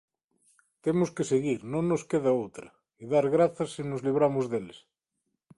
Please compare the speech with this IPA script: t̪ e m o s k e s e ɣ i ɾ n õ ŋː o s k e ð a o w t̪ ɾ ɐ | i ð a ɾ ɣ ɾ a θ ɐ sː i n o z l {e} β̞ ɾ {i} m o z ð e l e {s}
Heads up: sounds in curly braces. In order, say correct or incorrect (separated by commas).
incorrect, incorrect, correct